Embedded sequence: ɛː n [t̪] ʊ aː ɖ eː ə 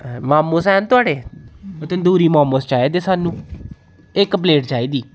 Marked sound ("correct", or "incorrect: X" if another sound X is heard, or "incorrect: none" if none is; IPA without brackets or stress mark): correct